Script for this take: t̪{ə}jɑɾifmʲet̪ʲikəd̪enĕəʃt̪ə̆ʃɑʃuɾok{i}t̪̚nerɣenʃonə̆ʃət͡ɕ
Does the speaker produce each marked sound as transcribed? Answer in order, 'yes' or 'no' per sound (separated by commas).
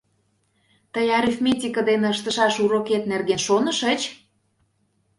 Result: yes, no